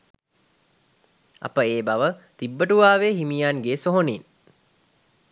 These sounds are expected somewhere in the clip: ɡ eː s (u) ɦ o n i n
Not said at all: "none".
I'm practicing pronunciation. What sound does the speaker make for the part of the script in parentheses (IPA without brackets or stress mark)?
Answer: o